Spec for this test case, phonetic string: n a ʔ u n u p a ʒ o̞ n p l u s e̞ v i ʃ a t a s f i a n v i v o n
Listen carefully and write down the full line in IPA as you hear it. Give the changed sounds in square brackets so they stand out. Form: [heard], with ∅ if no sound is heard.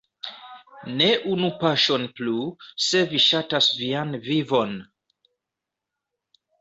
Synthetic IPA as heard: n [e] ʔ u n u p a [ʃ] o̞ n p l u s e̞ v i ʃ a t a s [v] i a n v i v o n